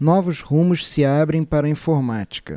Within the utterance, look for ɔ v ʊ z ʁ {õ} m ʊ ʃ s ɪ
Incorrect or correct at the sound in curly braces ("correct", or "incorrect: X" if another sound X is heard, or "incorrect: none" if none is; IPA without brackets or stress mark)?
incorrect: ũ